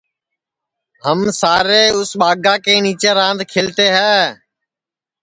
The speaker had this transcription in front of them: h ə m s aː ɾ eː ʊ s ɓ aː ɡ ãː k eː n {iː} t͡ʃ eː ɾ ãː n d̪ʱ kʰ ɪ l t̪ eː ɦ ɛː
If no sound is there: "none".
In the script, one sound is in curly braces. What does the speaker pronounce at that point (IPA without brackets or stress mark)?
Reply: iː